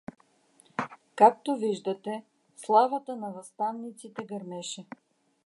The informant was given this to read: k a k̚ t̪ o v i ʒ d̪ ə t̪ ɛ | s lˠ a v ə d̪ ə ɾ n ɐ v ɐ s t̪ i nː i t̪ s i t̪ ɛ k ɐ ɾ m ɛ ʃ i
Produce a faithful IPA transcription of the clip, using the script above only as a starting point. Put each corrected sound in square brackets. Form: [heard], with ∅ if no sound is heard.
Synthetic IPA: k a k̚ t̪ o v i ʒ d̪ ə t̪ ɛ | s lˠ a v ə [t̪] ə [∅] n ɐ v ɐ s t̪ [a] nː i t̪ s i t̪ ɛ [ɡ] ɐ ɾ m ɛ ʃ [ɛ]